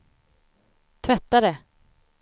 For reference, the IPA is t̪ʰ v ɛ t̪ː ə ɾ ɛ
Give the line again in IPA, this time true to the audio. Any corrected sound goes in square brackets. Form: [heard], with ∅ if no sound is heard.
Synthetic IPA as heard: t̪ʰ v ɛ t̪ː [a] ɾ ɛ